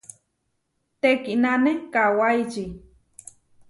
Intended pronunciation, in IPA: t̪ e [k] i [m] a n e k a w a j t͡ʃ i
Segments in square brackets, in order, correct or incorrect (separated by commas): correct, incorrect